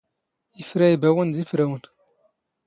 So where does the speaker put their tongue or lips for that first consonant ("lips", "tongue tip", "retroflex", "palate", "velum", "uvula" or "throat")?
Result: lips